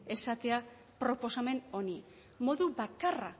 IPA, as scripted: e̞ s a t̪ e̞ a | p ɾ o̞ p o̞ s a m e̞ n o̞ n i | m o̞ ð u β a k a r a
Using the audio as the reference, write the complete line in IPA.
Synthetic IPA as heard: e̞ s a t̪ e̞ a | p ɾ o̞ p o̞ s a m e̞ n o̞ n i | m o̞ ð u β a k a r a